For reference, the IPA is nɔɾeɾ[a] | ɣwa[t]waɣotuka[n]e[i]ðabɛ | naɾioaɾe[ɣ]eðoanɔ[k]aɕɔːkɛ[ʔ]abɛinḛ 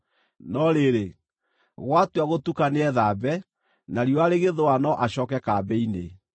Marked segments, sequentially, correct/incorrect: incorrect: e, correct, correct, incorrect: ɛ, correct, incorrect: ʔ, incorrect: k

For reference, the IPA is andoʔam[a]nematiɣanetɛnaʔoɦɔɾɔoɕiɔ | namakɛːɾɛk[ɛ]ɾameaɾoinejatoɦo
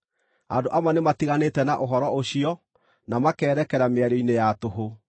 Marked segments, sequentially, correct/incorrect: correct, correct

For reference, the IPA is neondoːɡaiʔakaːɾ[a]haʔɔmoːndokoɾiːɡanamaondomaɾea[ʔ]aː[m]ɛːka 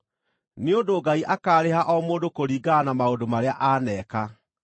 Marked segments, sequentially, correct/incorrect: incorrect: e, correct, incorrect: n

